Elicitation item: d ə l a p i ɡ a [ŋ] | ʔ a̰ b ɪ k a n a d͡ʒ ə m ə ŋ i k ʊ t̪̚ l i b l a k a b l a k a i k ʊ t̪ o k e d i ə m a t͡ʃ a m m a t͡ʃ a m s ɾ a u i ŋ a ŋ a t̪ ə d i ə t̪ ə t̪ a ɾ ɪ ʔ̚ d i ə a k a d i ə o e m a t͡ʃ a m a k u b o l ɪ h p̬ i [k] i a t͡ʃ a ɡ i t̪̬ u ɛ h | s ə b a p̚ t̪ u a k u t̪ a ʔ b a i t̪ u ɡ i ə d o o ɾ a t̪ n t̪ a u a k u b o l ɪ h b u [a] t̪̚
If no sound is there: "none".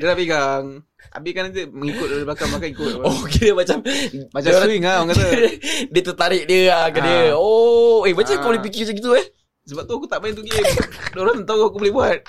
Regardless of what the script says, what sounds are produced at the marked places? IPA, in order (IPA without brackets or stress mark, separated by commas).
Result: ŋ, k, a